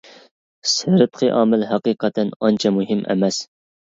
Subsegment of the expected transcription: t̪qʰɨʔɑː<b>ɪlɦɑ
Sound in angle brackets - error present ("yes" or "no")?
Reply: yes